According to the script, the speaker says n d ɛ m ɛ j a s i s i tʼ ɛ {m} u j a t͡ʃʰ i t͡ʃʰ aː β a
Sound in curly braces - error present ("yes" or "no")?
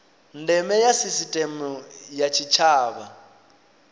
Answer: no